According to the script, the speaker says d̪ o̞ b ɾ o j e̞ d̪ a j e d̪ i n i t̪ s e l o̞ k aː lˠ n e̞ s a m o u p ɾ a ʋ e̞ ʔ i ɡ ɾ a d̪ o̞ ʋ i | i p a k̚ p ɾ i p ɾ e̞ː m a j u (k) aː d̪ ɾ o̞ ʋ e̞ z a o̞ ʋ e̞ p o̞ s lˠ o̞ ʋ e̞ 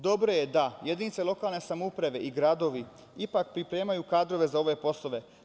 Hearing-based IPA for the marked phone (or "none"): k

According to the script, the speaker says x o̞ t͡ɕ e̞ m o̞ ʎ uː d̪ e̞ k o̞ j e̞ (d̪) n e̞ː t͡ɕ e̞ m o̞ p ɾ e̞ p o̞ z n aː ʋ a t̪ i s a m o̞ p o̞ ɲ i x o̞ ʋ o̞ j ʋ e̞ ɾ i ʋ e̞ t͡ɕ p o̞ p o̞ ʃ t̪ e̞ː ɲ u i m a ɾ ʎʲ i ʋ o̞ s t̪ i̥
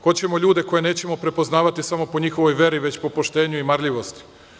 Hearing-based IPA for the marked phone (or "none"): none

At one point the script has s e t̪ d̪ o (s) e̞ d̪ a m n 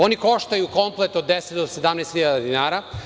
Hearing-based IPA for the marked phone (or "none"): s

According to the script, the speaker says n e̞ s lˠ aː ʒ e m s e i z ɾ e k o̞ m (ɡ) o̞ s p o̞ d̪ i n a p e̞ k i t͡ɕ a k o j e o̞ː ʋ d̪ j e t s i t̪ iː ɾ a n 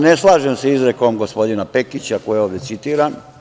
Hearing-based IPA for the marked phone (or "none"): ɡ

